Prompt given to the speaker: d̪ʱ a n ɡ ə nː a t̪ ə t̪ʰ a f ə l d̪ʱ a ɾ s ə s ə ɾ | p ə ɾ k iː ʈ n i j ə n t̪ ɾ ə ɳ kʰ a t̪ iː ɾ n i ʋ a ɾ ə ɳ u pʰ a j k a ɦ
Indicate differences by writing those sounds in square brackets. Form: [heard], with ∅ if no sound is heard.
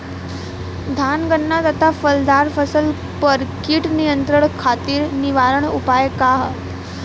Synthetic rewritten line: d̪ʱ a n ɡ ə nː a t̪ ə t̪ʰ a f ə l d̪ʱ a ɾ [f] ə s ə [l] | p ə ɾ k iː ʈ n i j ə n t̪ ɾ ə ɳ kʰ a t̪ iː ɾ n i ʋ a ɾ ə ɳ u [p] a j k a ɦ